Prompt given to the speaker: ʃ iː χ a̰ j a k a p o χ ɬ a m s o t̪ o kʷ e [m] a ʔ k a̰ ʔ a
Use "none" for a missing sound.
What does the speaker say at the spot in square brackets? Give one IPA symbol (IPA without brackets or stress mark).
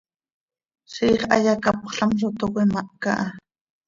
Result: m